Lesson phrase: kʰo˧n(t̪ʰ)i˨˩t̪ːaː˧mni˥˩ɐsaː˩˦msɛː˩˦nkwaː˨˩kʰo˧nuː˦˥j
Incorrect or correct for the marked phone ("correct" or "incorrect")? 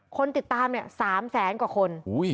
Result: incorrect